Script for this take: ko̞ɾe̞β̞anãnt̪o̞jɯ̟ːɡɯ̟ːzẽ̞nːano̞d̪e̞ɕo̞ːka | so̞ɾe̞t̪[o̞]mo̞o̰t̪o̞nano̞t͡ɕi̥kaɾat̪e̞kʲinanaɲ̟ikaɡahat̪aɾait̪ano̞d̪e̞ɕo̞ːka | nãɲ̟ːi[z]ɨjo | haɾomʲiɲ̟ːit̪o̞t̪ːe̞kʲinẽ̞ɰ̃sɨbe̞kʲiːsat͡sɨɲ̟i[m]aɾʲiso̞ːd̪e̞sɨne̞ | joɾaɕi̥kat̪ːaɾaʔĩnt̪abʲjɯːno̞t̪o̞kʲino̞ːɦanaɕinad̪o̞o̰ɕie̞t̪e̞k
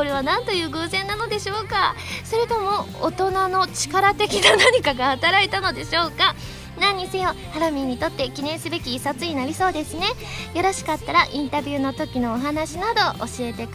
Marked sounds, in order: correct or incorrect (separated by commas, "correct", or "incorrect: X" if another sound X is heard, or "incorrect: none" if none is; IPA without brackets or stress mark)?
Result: correct, incorrect: s, incorrect: n